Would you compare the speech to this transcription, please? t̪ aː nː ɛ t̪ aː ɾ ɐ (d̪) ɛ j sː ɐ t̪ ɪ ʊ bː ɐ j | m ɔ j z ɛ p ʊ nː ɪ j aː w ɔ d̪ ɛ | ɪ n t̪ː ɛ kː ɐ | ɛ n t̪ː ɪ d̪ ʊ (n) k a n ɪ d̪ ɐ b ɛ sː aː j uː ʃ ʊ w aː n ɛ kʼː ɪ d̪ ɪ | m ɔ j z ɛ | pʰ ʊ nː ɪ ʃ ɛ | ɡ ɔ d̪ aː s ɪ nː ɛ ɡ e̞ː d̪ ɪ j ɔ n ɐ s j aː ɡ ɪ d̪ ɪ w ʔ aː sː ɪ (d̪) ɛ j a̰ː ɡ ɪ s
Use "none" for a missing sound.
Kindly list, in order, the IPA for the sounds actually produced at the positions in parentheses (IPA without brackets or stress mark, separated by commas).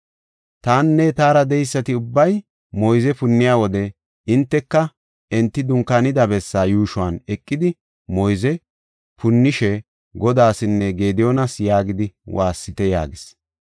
d̪, ŋ, t̪